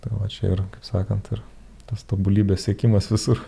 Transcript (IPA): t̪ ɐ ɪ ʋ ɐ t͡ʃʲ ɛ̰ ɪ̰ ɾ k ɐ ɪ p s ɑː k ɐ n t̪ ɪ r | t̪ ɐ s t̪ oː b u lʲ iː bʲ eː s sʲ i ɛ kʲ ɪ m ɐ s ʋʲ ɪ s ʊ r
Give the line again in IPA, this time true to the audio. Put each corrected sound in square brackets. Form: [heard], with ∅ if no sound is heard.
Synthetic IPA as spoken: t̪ ɐ ɪ ʋ ɐ t͡ʃʲ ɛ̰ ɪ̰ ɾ k ɐ ɪ p s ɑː k ɐ n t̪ ɪ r | t̪ ɐ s t̪ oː b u lʲ iː bʲ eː s sʲ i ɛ kʲ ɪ m ɐ s ʋʲ ɪ s ʊ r